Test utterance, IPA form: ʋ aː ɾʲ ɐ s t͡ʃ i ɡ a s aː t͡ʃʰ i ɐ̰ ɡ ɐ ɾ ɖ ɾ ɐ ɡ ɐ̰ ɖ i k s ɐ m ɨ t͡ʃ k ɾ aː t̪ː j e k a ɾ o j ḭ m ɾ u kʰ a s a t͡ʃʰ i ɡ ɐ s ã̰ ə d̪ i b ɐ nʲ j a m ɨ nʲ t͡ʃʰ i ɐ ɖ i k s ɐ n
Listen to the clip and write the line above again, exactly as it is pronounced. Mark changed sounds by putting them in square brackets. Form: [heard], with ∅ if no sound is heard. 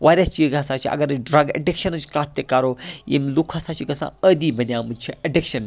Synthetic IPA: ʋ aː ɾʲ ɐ s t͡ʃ i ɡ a s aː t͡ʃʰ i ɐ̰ ɡ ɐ ɾ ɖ ɾ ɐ ɡ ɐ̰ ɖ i k [ʃ] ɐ [n] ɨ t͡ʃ k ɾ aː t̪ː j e k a ɾ o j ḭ m [l] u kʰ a s a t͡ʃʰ i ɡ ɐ s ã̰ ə d̪ i b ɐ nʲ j a m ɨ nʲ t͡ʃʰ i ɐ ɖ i k [ʃ] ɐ n